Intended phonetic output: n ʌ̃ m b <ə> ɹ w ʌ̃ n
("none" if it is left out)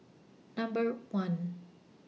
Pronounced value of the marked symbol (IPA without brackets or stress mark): ə